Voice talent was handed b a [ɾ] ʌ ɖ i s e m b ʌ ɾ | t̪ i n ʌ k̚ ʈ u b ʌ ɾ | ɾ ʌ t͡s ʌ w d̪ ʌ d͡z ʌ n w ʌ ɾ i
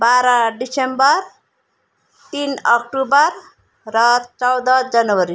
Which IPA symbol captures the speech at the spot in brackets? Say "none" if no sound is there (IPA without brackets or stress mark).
ɾ